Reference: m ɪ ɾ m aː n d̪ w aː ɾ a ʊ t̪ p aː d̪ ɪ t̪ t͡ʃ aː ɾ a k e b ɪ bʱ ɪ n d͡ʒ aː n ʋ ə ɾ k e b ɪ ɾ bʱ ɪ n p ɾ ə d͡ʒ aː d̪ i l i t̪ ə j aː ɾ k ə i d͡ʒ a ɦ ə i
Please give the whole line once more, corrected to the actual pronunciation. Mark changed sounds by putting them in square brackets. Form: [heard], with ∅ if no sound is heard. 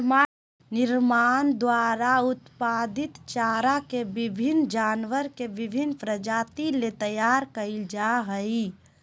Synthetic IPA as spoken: [n] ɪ ɾ m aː n d̪ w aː ɾ a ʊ t̪ p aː d̪ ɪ t̪ t͡ʃ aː ɾ a k e b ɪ bʱ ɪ n d͡ʒ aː n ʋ ə ɾ k e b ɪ [∅] bʱ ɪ n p ɾ ə d͡ʒ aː [t̪] i l [e] t̪ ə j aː ɾ k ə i d͡ʒ a ɦ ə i

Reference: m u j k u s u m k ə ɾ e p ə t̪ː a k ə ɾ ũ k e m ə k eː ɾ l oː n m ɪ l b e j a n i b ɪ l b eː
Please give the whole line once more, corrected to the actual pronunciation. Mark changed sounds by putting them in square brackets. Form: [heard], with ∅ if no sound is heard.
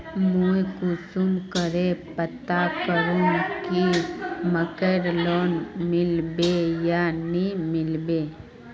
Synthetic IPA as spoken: m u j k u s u m k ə ɾ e p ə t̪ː a k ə ɾ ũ k [i] m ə k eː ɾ l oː n m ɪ l b e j a n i [m] ɪ l b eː

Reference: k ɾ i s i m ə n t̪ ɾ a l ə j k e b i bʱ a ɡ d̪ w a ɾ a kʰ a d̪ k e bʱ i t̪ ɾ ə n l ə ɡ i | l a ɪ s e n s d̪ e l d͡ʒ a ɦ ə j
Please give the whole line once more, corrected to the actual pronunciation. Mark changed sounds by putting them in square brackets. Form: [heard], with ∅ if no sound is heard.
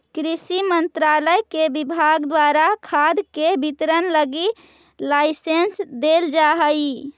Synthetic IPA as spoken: k ɾ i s i m ə n t̪ ɾ a l ə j k e b i bʱ a ɡ d̪ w a ɾ a kʰ a d̪ k e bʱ i t̪ ɾ ə n l ə ɡ i | l a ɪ s e n s d̪ e l d͡ʒ a ɦ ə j

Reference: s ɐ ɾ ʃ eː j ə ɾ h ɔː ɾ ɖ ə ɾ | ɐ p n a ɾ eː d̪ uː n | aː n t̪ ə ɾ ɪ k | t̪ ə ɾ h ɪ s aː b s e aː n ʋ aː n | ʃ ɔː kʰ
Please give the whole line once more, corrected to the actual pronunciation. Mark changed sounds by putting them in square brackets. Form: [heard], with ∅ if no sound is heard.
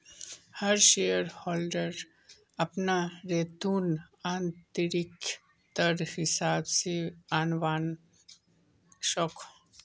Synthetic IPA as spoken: [h] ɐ ɾ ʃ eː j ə ɾ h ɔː [l] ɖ ə ɾ | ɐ p n a ɾ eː [t̪] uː n | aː n t̪ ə ɾ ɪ k | t̪ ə ɾ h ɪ s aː b s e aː n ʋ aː n | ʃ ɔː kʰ

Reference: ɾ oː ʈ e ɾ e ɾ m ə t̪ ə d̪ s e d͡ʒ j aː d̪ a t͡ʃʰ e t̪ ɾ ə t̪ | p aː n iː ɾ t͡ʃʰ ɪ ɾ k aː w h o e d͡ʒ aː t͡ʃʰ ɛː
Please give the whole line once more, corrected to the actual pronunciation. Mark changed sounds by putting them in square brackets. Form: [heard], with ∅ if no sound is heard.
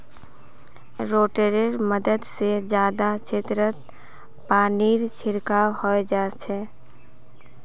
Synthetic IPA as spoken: ɾ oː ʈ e ɾ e ɾ m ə [d̪] ə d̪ s e d͡ʒ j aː d̪ a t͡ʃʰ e t̪ ɾ ə t̪ | p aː n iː ɾ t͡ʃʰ ɪ ɾ k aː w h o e d͡ʒ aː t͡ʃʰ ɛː

